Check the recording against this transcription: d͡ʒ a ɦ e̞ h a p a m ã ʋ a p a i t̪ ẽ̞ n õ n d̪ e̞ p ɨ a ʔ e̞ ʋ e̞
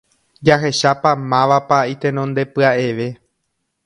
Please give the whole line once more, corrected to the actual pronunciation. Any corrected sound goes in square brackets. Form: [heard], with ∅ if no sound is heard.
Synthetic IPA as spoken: d͡ʒ a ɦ e̞ [ʃ] a p a m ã ʋ a p a i t̪ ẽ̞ n õ n d̪ e̞ p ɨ a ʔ e̞ ʋ e̞